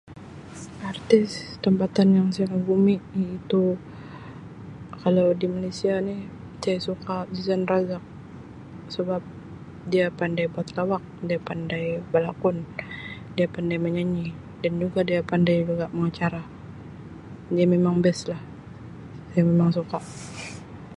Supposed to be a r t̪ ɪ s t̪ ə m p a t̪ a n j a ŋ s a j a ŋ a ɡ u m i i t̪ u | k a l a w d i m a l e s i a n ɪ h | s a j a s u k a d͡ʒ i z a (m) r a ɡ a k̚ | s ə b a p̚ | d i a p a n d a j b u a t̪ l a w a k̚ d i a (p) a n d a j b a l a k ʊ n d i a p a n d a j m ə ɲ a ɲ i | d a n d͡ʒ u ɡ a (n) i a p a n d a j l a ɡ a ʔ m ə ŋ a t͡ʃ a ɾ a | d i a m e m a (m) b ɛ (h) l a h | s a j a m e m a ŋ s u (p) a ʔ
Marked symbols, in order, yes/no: no, yes, no, no, no, no

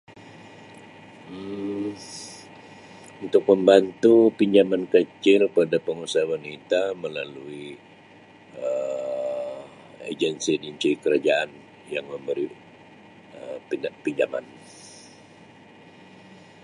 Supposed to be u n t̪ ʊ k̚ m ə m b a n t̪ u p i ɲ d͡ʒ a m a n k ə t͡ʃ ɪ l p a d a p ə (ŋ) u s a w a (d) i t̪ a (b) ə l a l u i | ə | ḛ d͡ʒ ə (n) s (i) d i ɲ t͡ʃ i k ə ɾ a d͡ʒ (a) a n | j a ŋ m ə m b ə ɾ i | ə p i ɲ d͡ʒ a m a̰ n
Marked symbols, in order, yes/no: yes, no, no, yes, yes, yes

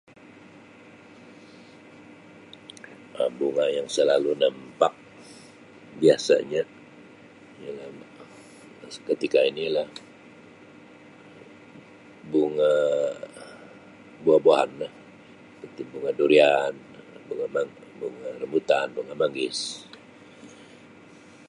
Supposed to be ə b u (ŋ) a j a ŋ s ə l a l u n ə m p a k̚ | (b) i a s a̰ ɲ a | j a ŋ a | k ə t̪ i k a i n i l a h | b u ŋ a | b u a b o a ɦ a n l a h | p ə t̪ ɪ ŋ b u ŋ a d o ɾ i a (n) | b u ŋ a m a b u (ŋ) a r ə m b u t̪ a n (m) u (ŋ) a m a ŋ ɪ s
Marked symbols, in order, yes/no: yes, yes, yes, yes, no, yes

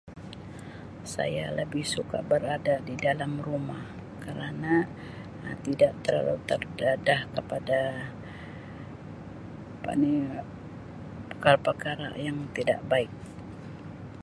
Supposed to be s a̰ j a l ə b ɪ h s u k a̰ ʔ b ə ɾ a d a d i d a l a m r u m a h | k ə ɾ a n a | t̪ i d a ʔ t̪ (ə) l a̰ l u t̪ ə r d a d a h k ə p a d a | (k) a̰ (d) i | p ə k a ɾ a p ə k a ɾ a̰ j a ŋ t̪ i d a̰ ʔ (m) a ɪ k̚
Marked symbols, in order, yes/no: yes, no, no, no

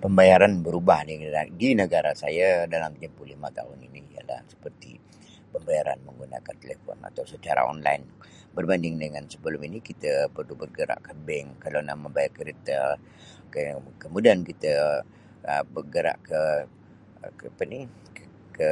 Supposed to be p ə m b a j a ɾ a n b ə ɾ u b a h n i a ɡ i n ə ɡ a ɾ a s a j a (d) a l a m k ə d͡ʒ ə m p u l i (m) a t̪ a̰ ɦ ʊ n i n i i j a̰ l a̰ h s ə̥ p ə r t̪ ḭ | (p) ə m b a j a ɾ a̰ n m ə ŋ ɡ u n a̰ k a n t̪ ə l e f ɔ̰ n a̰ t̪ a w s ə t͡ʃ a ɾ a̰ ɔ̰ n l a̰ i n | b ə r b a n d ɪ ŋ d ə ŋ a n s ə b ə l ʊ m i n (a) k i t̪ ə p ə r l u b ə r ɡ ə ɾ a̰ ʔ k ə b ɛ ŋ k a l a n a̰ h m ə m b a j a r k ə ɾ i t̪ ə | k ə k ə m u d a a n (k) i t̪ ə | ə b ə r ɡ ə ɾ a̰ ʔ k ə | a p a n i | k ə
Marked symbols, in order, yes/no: yes, yes, yes, no, yes

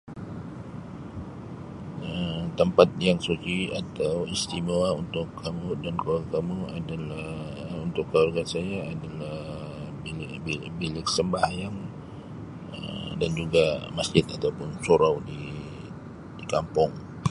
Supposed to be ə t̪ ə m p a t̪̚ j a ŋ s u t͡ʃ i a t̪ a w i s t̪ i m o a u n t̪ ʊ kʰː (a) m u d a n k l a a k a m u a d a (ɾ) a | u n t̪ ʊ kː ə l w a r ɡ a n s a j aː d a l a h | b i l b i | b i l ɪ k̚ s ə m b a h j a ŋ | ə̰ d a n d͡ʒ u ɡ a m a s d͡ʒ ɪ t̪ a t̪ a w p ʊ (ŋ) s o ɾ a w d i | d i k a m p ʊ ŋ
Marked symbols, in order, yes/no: yes, no, no

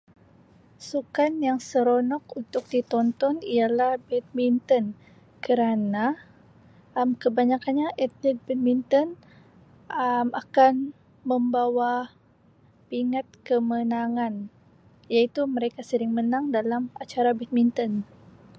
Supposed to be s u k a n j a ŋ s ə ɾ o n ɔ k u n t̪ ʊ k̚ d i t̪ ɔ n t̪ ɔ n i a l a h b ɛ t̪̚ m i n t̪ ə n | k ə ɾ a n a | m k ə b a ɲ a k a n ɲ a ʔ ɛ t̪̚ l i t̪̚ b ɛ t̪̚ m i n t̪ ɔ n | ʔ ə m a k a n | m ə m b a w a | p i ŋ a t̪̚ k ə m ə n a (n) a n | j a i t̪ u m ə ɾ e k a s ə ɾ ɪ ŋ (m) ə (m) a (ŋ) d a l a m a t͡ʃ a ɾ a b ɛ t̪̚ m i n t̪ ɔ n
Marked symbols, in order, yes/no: no, yes, no, yes

